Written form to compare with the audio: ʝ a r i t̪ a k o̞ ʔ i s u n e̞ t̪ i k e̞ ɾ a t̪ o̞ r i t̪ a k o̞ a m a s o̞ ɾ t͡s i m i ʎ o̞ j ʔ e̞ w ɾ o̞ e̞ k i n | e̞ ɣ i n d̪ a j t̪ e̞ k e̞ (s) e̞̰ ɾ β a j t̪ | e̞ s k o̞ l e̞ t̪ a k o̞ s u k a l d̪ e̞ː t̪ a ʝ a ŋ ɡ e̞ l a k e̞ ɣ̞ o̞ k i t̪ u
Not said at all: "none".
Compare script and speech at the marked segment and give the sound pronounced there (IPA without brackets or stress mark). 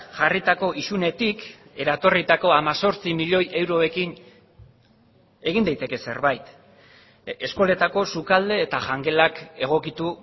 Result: s